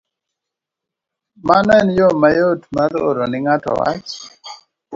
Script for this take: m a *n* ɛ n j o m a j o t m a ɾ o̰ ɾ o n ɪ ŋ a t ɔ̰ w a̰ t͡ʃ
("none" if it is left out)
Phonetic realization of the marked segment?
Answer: n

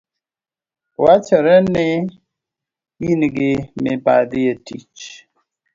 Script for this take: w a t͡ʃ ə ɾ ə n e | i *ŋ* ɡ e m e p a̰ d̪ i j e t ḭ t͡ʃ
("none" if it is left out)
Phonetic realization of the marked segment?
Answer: n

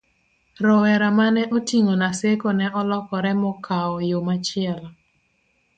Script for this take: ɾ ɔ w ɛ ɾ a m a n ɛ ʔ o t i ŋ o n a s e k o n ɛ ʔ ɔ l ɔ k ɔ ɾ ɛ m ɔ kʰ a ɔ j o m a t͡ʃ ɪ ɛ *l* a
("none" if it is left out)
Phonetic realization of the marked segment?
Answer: l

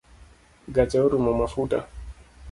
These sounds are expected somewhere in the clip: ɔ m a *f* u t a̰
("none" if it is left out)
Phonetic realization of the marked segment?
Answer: f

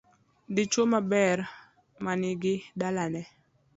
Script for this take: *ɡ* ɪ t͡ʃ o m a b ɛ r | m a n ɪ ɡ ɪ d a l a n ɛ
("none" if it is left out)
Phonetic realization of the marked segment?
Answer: d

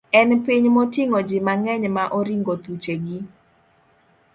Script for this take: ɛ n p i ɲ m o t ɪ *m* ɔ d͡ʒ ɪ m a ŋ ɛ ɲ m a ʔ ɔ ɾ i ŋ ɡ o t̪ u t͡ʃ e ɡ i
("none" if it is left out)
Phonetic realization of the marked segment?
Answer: ŋ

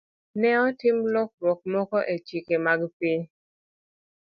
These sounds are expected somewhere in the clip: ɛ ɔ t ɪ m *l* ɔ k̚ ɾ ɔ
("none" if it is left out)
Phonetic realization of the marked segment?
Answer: l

